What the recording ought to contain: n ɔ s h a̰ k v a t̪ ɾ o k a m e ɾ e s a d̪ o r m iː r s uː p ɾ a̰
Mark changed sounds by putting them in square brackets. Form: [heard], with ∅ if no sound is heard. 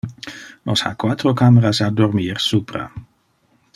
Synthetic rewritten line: n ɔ s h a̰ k [w] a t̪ ɾ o k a m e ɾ [a] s a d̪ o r m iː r s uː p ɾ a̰

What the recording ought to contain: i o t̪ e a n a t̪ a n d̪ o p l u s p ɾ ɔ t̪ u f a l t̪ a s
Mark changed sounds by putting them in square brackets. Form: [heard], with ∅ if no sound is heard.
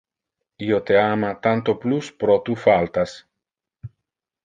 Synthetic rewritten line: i o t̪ e a [m] a t̪ a n [t̪] o p l u s p ɾ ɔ t̪ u f a l t̪ a s

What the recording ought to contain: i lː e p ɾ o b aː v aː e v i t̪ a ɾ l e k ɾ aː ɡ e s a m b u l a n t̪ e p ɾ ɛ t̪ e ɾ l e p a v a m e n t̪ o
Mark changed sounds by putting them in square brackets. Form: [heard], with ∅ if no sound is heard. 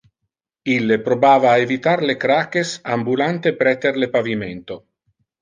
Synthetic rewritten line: i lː e p ɾ o b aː v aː e v i t̪ a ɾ l e k ɾ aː [k] e s a m b u l a n t̪ e p ɾ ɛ t̪ e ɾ l e p a v [i] m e n t̪ o

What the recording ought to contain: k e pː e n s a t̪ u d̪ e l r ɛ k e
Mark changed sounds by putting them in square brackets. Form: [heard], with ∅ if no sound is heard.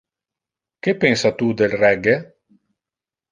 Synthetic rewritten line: k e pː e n s a t̪ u d̪ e l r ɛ [ɡ] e

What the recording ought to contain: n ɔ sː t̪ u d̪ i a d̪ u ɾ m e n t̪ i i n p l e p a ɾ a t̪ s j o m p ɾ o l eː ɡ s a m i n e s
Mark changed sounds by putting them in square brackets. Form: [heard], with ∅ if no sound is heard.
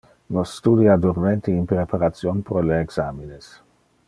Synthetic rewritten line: n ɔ sː t̪ u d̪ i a d̪ u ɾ m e n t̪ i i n p [ɾ] e p a ɾ a t̪ s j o [n] p ɾ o l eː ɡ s a m i n e s

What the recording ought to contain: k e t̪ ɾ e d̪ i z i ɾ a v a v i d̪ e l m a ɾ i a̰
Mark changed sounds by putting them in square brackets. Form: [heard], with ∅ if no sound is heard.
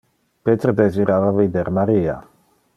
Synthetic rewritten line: [p] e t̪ ɾ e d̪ [e] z i ɾ a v a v i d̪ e [ɾ] m a ɾ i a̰

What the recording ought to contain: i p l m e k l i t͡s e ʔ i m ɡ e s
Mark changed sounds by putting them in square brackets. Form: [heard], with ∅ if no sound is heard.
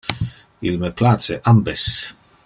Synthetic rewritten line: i [∅] l m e [p] l [a] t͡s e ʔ [a] m [b] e s

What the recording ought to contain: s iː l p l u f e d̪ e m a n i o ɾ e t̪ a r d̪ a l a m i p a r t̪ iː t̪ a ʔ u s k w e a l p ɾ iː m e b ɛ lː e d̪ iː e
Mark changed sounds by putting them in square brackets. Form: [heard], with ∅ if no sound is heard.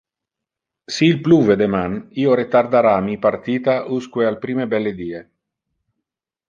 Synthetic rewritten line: s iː l p l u [v] e d̪ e m a n i o ɾ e t̪ a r d̪ a [ɾ] a m i p a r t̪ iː t̪ a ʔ u s k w e a l p ɾ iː m e b ɛ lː e d̪ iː e

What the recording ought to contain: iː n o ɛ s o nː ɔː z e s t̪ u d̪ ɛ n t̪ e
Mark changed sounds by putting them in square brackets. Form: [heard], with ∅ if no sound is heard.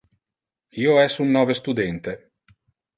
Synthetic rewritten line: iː [∅] o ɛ s [u] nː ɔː [v] e s t̪ u d̪ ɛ n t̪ e

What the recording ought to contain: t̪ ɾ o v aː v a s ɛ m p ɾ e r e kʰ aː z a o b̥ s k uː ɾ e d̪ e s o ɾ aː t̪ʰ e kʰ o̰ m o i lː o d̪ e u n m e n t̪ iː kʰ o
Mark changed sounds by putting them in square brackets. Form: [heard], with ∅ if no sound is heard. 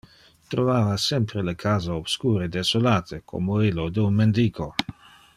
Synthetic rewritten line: t̪ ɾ o v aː v a s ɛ m p ɾ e [l] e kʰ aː z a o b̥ s k uː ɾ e d̪ e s o [l] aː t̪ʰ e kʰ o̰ m o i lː o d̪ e u n m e n [d̪] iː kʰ o

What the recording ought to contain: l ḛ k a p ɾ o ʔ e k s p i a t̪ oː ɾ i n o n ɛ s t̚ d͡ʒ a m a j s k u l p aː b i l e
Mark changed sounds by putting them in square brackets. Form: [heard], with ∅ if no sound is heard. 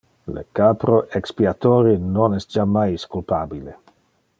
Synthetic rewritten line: l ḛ k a p ɾ o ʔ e k s p i a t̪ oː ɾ i n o n ɛ s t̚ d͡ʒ a m a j s k u l p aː b i l e

